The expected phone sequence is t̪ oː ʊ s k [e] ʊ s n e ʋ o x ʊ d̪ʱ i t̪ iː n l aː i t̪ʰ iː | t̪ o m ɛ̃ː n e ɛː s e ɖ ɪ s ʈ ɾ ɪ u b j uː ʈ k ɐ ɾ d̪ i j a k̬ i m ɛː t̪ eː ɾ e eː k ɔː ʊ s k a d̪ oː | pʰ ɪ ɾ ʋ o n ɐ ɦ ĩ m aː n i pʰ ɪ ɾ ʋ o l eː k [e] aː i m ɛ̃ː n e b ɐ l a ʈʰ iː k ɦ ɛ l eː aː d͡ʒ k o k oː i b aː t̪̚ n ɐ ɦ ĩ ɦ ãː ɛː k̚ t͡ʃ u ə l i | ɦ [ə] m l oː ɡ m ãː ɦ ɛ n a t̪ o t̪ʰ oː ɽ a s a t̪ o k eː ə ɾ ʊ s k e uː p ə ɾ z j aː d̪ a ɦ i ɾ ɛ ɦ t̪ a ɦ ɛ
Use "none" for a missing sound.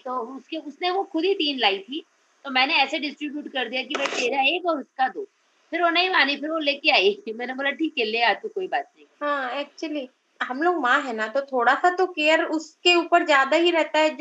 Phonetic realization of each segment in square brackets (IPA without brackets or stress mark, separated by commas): e, e, ɐ